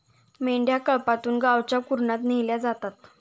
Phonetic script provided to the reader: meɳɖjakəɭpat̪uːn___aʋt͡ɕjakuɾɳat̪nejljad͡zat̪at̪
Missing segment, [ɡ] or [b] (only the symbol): ɡ